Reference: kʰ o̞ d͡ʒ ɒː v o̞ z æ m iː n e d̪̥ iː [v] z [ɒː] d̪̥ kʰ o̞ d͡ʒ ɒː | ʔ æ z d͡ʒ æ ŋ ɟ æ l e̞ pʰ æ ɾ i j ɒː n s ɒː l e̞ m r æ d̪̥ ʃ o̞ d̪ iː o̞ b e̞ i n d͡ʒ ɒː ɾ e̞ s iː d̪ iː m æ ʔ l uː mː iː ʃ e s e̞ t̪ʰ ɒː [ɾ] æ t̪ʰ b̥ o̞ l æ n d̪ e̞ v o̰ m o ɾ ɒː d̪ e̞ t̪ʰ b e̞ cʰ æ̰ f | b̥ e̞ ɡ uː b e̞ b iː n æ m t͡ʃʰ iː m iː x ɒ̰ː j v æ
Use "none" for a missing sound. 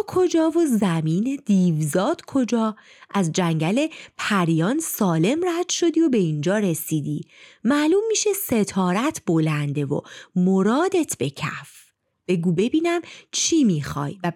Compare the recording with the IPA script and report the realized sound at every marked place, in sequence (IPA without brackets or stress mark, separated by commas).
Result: v, ɒː, ɾ